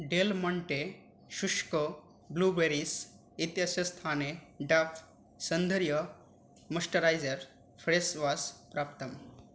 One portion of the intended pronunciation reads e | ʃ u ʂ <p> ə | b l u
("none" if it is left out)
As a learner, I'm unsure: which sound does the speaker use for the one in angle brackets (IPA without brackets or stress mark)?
k